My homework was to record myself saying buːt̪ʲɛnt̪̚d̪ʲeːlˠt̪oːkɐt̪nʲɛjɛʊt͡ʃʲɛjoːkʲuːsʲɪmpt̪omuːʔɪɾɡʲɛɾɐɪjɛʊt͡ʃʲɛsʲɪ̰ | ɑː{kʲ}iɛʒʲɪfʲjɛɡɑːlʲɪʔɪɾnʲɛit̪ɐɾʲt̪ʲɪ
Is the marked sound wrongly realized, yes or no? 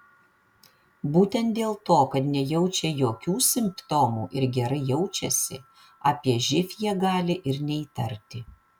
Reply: yes